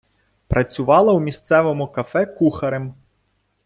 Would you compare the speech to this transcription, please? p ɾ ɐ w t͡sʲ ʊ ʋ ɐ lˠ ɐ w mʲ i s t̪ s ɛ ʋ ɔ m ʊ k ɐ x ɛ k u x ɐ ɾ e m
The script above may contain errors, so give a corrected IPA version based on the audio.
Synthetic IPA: p ɾ ɐ t͡sʲ ʊ ʋ ɑ lˠ ɐ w mʲ i s t̪ s ɛ ʋ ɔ m ʊ k ɐ f ɛ k u x ɐ ɾ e m